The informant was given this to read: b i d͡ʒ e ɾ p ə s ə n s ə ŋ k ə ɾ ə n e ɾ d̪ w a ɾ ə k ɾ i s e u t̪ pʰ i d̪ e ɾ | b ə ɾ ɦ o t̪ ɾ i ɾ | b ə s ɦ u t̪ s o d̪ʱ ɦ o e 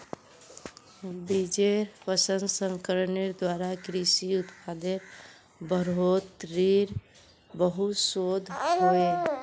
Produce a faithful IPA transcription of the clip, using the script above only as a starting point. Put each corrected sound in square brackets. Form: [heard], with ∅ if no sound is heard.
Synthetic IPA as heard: b i d͡ʒ e ɾ p ə s ə n s ə ŋ k ə ɾ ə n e ɾ d̪ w a ɾ [a] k ɾ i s [i] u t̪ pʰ [a] d̪ e ɾ | b ə ɾ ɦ o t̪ ɾ i ɾ | b ə [∅] ɦ u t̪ s o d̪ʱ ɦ o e